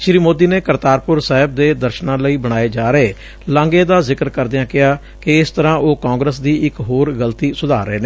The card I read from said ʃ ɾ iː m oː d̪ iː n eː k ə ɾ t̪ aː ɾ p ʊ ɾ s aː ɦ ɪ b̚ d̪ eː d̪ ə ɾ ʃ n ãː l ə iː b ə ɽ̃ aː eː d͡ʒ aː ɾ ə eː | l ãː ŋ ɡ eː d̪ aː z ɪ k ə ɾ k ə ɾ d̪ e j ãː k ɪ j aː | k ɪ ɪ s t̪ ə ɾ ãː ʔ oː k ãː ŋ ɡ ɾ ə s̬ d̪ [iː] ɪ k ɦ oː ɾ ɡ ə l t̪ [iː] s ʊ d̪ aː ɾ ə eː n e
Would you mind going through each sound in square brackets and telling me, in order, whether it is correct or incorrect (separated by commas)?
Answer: correct, correct